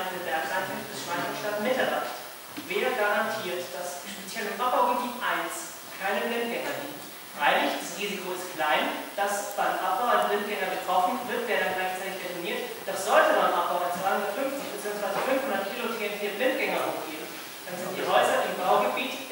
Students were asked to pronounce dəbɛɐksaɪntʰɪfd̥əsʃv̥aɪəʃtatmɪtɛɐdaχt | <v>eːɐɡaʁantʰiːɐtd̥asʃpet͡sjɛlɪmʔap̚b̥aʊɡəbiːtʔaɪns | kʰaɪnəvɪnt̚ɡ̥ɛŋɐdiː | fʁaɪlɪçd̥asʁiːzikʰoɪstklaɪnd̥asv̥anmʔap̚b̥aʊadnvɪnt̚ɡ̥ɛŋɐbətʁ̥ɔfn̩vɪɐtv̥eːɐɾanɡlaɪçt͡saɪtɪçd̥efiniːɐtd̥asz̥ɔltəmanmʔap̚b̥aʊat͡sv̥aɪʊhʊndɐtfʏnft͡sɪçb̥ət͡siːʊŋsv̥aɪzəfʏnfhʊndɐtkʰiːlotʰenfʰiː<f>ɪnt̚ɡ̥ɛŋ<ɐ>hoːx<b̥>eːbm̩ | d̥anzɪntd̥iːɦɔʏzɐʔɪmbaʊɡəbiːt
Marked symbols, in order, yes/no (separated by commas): yes, no, yes, no